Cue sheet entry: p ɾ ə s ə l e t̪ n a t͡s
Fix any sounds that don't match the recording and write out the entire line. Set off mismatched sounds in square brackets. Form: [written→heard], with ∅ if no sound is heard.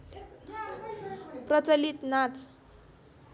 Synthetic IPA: p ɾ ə [s→t͡s] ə l [e→i] t̪ n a t͡s